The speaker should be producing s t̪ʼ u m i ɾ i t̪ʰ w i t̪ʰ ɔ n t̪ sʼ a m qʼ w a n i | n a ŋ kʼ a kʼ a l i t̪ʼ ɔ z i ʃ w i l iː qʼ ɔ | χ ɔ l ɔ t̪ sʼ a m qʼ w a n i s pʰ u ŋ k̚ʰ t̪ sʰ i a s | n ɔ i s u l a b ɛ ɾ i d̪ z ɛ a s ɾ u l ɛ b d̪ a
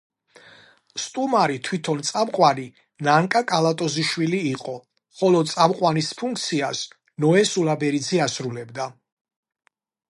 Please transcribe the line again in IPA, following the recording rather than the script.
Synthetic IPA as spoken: s t̪ʼ u m a ɾ i t̪ʰ w i t̪ʰ ɔ n t̪ sʼ a m qʼ w a n i | n a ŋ kʼ a kʼ a l a t̪ʼ ɔ z i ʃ w i l iː qʼ ɔ | χ ɔ l ɔ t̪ sʼ a m qʼ w a n i s pʰ u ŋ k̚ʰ t̪ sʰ i a s | n ɔ ɛ s u l a b ɛ ɾ i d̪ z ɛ a s ɾ u l ɛ b d̪ a